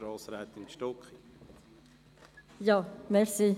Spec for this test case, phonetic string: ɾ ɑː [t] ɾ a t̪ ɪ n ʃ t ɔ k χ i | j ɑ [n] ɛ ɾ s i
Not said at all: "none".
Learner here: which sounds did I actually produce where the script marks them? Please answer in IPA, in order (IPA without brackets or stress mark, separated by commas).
s, m